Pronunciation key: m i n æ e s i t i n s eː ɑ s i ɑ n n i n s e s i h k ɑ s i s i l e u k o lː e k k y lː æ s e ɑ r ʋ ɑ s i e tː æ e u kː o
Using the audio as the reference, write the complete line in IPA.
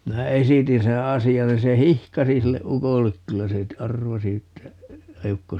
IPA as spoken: m i n æ e s i t i n s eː ɑ s i ɑ n n i n s e h i h k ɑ s i s i lː e u k o lː e k k y lː æ s e ɑ r ʋ ɑ s i e tː æ e u kː o